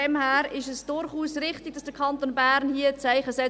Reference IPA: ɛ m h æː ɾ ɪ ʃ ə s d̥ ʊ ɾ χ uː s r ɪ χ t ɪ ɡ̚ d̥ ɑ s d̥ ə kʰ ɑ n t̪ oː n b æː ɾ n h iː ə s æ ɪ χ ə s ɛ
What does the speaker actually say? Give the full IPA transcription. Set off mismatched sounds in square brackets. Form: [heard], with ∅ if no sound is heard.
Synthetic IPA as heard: ɛ m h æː ɾ ɪ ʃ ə s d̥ ʊ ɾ χ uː s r ɪ χ t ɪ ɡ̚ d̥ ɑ s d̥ ə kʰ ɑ n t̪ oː n b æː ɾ n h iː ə [t͡s] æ ɪ χ ə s ɛ